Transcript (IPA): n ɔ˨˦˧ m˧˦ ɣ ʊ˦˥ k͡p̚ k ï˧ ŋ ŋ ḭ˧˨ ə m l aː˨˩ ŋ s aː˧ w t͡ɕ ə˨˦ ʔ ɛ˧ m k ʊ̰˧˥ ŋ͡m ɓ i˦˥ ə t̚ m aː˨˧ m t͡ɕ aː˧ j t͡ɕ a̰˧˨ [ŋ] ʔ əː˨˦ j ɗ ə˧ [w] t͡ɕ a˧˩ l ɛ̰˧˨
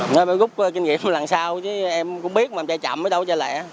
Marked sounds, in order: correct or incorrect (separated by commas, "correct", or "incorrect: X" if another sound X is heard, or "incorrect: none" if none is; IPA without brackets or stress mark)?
incorrect: m, correct